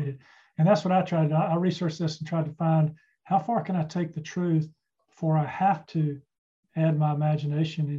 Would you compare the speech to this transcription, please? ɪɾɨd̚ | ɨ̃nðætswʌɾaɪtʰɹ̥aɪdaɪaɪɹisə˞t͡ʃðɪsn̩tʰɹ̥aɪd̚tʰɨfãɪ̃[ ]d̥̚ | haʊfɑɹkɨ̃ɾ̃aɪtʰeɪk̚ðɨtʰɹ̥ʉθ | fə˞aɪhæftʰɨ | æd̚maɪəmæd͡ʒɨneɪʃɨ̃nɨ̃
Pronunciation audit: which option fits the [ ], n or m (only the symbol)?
n